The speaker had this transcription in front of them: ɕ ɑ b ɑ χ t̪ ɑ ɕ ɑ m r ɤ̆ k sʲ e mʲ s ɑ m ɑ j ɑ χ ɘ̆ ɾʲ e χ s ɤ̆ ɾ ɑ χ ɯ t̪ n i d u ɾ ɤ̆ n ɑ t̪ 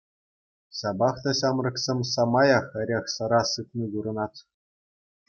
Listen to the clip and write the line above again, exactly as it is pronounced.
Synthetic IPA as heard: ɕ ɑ b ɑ χ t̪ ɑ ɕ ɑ m r ɤ̆ k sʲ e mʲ s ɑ m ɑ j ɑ χ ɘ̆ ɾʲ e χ s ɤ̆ ɾ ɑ s ɯ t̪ n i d u ɾ ɤ̆ n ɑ t̪